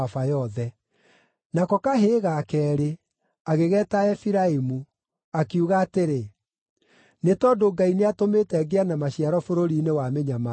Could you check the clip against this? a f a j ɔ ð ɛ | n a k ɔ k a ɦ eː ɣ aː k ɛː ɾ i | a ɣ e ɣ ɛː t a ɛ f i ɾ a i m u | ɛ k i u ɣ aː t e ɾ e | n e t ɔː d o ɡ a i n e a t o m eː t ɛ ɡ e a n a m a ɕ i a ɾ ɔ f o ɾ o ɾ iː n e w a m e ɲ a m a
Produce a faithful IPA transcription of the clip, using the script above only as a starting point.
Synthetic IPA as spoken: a f a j ɔ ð ɛ | n a k ɔ k a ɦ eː ɣ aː k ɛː ɾ e | a ɣ e ɣ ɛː t a ɛ f i ɾ a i m u | a k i u ɣ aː t e ɾ e | n e t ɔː d o ɡ a i n e a t o m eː t ɛ ɡ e a n a m a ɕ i a ɾ ɔ f o ɾ o ɾ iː n e w a m e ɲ a m a

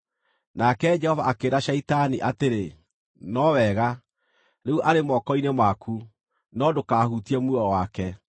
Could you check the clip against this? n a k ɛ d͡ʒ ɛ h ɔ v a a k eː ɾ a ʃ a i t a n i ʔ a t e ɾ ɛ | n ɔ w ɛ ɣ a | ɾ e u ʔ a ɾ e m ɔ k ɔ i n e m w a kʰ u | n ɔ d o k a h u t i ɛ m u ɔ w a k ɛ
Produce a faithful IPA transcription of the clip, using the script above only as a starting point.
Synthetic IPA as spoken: n a k ɛ d͡ʒ ɛ h ɔ v a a k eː ɾ a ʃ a i t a n i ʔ a t e ɾ e | n ɔ w ɛ ɣ a | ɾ e u ʔ a ɾ e m ɔ k ɔ i n e m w a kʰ u | n ɔ d o k a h u t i ɛ m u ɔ w a k ɛ

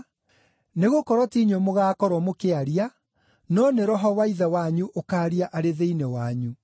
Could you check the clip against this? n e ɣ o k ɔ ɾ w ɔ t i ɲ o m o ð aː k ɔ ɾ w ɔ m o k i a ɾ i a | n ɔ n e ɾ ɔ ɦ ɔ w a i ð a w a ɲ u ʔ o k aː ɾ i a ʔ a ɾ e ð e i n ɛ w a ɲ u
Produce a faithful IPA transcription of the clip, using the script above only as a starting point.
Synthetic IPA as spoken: n e ɣ o k ɔ ɾ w ɔ t i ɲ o m o ɣ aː k ɔ ɾ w ɔ m o k e a ɾ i a | n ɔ n e ɾ ɔ ɦ ɔ w a i ð a w a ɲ u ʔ o k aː ɾ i a ʔ a ɾ e ð e i n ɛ w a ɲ u

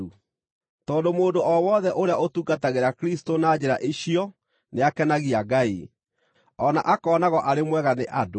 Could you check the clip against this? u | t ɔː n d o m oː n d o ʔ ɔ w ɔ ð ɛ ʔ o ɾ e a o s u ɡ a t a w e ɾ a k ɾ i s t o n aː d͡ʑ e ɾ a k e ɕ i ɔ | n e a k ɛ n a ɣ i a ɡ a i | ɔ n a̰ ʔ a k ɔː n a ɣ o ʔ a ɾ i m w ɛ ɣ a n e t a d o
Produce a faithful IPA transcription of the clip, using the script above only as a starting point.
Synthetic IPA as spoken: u | t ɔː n d o m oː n d o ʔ ɔ w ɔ ð ɛ ʔ o ɾ e a o t u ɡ a t a ɣ e ɾ a k ɾ i s t o n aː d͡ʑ e ɾ a ʔ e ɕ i ɔ | n e a k ɛ n a ɣ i a ɡ a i | ɔ n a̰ ʔ a k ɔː n a ɣ ɔ ʔ a ɾ e m w ɛ ɣ a n e ʔ a d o

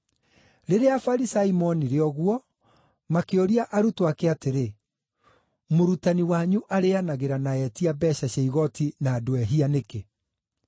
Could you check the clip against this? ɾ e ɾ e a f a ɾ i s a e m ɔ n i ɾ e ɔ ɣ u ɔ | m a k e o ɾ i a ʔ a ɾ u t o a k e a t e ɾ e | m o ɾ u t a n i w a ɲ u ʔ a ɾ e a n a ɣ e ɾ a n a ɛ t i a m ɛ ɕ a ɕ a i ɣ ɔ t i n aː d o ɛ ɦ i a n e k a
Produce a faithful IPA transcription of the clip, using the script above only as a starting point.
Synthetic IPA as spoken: ɾ e ɾ e a f a ɾ i s a i m ɔ n i ɾ e ɔ ɣ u ɔ | m a k e o ɾ i a ʔ a ɾ u t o a k e a t e ɾ e | m o ɾ u t a n i w a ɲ u ʔ a ɾ e a n a ɣ e ɾ a n a ɛ t i a b ɛ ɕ a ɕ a i ɣ ɔ t i n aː d o ɛ ɦ i a n e k e

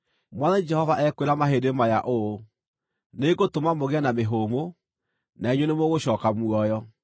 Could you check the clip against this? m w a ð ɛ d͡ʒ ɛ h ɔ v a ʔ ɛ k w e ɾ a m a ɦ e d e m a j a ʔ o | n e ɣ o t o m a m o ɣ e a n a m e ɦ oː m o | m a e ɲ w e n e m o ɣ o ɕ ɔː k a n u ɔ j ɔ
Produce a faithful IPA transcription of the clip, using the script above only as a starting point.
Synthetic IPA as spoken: m w a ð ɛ d͡ʒ ɛ h ɔ v a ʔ ɛ k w e ɾ a m a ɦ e d e m a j a ʔ o | n e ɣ o t o m a m o ɣ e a n a m e ɦ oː m o | n a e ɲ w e n e m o ɣ o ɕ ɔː k a m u ɔ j ɔ

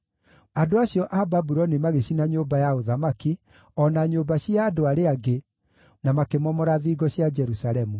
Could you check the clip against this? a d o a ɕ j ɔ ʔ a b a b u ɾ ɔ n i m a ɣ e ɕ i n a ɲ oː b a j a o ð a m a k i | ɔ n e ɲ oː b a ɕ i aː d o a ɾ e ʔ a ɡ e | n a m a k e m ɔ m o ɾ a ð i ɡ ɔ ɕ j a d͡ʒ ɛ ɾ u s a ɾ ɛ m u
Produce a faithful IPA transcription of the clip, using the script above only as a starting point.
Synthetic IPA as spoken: a d o a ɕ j ɔ ʔ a b a b u ɾ ɔ n i m a ɣ e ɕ i n a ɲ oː b a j a o ð a m a k i | ɔ n a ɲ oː b a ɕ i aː d o a ɾ e a ɡ e | n a m a k e m ɔ m ɔ ɾ a ð i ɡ ɔ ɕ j a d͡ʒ ɛ ɾ u s a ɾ ɛ m u

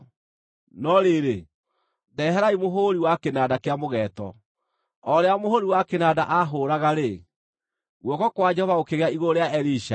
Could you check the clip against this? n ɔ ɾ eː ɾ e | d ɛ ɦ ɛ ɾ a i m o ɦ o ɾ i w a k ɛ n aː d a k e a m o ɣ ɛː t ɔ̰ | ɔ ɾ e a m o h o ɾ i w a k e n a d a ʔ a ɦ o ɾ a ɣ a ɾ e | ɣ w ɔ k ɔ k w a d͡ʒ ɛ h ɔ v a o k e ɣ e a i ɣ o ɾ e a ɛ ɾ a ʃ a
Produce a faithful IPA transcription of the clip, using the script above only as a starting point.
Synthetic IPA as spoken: n ɔ ɾ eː ɾ e | d ɛ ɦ ɛ ɾ a i m o ɦ o ɾ i w a k e n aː d a k e a m o ɣ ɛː t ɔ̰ | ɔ ɾ e a m o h o ɾ i w a k e n a d a ʔ a ɦ o ɾ a ɣ a ɾ e | ɣ w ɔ k ɔ k w a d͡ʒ ɛ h ɔ v a o k e ɣ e a i ɣ o ɾ e a ɛ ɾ i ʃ a

